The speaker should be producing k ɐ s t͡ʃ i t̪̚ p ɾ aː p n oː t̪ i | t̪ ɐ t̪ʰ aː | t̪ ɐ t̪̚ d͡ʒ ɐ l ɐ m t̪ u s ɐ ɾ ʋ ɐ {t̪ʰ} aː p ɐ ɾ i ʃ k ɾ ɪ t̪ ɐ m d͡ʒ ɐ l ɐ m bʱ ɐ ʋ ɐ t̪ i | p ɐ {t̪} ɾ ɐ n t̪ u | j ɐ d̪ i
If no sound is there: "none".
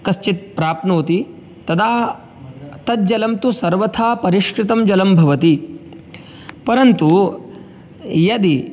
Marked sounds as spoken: t̪ʰ, none

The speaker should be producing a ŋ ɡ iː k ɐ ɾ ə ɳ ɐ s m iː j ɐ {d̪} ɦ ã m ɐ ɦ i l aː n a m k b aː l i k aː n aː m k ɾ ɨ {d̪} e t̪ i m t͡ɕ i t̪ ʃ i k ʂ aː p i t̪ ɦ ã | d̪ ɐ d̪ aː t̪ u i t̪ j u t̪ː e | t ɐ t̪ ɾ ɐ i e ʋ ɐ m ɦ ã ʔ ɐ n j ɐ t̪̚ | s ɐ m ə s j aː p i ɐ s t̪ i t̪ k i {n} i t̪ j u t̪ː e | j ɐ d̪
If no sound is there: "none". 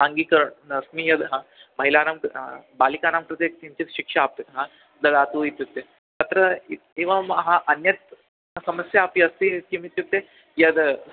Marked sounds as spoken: d̪, t̪, m

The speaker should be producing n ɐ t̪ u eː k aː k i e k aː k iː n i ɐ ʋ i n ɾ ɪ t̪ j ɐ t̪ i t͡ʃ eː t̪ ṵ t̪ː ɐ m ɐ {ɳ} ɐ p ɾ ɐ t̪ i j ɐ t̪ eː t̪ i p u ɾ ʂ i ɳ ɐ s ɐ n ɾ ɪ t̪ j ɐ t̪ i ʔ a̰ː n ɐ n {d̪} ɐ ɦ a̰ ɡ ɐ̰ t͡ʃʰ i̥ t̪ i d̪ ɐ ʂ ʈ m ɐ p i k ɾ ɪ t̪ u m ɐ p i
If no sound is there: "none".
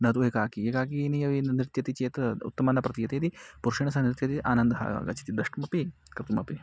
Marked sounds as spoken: n, d̪

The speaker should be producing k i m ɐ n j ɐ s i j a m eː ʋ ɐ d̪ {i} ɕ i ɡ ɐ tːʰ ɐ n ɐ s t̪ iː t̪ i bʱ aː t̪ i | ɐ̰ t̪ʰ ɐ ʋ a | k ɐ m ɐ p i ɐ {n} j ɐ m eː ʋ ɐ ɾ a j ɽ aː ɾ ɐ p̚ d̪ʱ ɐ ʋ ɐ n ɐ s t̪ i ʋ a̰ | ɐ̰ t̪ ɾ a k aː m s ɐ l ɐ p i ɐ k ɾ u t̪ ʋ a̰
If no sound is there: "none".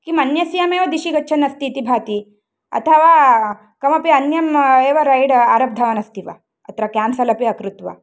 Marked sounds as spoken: i, n

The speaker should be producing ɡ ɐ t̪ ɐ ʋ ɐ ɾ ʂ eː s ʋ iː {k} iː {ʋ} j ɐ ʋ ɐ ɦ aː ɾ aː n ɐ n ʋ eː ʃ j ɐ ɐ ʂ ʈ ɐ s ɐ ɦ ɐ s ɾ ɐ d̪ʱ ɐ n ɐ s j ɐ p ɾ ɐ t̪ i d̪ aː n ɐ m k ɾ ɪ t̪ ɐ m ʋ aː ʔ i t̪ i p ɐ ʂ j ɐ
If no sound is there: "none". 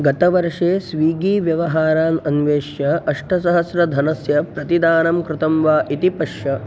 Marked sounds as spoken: ɡ, ʋ

